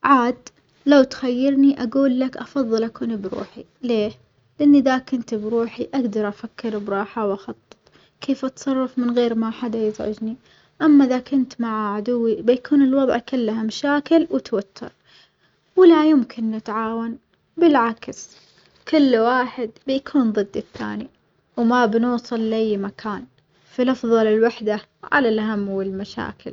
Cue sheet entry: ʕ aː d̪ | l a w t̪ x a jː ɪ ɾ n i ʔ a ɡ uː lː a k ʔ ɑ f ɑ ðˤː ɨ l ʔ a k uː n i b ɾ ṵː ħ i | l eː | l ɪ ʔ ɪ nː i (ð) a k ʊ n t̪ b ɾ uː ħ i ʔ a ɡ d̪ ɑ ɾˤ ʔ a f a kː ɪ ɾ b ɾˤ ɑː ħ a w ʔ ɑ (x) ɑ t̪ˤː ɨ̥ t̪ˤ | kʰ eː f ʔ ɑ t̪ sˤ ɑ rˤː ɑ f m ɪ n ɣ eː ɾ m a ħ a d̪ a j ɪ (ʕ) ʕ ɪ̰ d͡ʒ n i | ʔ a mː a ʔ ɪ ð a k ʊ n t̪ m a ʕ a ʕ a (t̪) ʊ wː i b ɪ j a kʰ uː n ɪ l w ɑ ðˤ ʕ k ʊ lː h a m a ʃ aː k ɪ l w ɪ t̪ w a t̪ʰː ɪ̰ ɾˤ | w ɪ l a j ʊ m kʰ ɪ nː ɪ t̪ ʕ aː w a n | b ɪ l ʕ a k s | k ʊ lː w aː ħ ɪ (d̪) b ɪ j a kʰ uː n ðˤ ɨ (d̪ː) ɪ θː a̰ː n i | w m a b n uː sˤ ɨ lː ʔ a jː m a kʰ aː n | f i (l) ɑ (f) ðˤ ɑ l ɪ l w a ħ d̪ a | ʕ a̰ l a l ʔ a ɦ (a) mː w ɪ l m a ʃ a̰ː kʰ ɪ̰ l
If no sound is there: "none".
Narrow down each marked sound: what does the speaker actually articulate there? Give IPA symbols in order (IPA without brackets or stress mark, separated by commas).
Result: ð, x, z, d̪, d̪, d̪ː, l, f, a